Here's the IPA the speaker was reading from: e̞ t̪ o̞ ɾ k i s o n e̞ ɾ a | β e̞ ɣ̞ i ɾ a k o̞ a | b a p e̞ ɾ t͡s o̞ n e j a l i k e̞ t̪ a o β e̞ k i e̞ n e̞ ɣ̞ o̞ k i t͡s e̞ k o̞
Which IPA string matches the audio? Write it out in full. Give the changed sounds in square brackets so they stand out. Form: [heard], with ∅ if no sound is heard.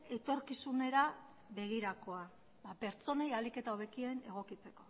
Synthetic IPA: e̞ t̪ o̞ ɾ k i s [u] n e̞ ɾ a | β e̞ ɣ̞ i ɾ a k o̞ a | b a p e̞ ɾ t͡s o̞ n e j a l i k e̞ t̪ a o β e̞ k i e̞ n e̞ ɣ̞ o̞ k i t͡s e̞ k o̞